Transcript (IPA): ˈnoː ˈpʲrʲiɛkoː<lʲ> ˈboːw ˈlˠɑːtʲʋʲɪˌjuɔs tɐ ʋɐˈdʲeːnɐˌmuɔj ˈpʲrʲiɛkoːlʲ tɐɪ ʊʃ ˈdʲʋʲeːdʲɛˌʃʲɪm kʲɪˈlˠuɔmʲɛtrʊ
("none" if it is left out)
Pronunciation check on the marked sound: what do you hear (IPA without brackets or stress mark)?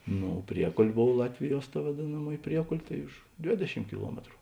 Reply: lʲ